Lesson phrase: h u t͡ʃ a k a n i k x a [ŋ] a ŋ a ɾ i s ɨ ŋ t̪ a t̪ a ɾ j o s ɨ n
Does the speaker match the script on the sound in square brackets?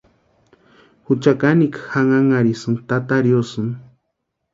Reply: yes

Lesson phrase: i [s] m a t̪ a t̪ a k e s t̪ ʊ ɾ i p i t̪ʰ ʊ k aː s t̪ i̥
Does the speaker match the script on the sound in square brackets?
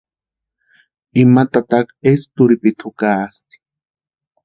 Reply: no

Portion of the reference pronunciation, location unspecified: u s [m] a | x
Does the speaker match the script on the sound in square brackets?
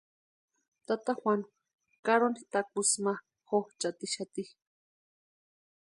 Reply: yes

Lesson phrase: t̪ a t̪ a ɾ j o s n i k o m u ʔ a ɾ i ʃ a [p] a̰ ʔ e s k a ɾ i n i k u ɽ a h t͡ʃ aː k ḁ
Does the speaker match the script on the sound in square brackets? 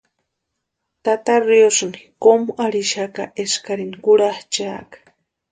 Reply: no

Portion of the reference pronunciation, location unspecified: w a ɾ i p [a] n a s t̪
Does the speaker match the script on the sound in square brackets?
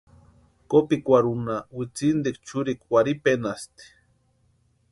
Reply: no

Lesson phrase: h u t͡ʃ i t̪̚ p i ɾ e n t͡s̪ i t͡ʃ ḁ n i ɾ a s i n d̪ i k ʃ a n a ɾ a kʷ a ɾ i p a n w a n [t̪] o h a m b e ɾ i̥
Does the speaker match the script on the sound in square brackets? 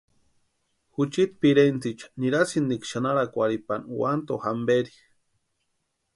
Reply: yes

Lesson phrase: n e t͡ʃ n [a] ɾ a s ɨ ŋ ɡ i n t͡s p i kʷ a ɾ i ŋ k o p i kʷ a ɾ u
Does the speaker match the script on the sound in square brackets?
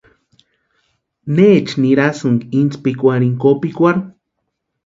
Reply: no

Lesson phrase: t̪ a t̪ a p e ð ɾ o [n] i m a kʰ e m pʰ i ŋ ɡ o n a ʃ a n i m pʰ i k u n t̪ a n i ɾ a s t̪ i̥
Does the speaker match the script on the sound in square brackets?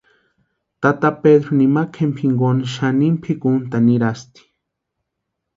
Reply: yes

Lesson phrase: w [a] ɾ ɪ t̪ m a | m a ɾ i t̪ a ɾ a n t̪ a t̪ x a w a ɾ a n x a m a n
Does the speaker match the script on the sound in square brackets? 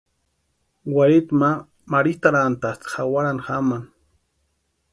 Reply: yes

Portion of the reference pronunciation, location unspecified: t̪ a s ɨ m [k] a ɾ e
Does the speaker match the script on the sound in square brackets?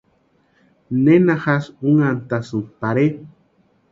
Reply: no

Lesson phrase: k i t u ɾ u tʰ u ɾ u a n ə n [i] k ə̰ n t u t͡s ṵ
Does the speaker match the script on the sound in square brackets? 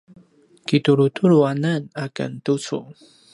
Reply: no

